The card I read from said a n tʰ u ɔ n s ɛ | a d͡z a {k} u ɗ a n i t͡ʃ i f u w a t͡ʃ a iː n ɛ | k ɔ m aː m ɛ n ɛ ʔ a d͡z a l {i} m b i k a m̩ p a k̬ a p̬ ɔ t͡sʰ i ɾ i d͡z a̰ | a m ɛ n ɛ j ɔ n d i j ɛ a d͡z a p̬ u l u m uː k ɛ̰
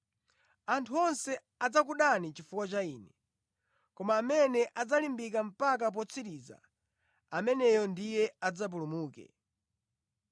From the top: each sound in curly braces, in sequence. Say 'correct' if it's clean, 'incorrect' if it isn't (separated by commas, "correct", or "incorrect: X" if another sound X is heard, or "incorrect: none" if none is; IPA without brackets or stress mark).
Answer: correct, correct